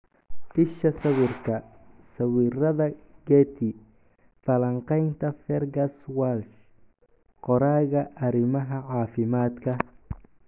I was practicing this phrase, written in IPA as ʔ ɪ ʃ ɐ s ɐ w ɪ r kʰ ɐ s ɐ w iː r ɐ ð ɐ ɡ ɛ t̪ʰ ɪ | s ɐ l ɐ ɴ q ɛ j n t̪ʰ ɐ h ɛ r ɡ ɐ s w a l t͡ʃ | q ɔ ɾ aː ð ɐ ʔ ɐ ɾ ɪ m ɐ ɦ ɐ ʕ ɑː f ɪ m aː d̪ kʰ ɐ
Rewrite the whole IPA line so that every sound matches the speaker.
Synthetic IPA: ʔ ɪ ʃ ɐ s ɐ w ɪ r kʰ ɐ s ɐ w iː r ɐ ð ɐ ɡ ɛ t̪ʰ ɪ | f ɐ l ɐ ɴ q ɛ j n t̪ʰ ɐ f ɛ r ɡ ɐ s w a l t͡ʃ | q ɔ ɾ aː ɣ ɐ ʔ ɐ ɾ ɪ m ɐ ɦ ɐ ʕ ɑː f ɪ m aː d̪ kʰ ɐ